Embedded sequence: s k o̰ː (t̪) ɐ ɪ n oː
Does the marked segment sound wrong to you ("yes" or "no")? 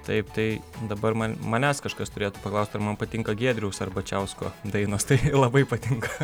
yes